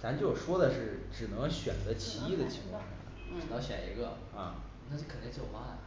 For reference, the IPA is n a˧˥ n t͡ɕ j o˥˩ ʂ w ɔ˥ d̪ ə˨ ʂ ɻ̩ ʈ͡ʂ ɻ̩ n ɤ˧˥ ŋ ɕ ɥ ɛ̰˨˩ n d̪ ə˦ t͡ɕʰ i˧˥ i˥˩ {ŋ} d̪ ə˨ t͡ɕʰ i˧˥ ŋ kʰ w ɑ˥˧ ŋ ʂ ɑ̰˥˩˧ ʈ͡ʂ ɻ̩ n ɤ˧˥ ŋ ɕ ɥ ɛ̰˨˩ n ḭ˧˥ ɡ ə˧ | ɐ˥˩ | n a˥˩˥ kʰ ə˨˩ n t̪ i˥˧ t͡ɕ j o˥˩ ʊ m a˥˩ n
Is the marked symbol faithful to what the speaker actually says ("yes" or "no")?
no